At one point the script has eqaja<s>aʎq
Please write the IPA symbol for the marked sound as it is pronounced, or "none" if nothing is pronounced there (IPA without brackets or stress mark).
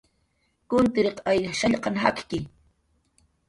ʃ